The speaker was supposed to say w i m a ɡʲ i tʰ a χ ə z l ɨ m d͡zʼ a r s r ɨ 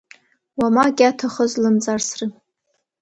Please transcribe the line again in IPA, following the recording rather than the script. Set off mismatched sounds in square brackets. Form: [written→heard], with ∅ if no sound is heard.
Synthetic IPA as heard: w [i→a] m a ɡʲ [i→a] tʰ a χ ə z l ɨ m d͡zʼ a r s r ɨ

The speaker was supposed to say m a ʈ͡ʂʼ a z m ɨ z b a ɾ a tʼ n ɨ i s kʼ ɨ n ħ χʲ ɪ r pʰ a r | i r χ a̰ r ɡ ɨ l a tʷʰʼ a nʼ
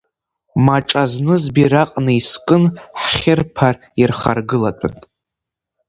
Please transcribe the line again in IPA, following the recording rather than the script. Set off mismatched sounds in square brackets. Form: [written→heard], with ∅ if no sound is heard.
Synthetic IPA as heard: m a ʈ͡ʂʼ a z [m→n] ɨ z b [a→i] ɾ a [tʼ→qʼ] n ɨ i s kʼ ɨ n ħ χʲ ɪ r pʰ a r | i r χ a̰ r ɡ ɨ l a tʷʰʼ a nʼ

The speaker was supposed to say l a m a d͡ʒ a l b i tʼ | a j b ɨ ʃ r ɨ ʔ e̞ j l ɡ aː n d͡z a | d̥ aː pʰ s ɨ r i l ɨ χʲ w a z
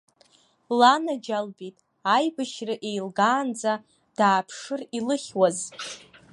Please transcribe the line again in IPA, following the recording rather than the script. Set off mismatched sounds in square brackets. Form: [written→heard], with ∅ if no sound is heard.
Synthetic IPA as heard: l a [m→n] a d͡ʒ a l b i tʼ | a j b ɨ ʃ r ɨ ʔ e̞ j l ɡ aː n d͡z a | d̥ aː pʰ [s→ʂ] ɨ r i l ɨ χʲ w a z

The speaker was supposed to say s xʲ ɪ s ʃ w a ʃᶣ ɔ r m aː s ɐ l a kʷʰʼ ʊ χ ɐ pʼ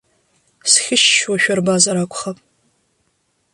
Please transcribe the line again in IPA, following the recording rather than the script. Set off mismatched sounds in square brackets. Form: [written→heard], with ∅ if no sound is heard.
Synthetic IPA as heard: s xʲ ɪ [s→ʃ] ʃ w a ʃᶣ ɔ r [m→b] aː [s→z] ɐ [l→ɾ] a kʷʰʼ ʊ χ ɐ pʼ

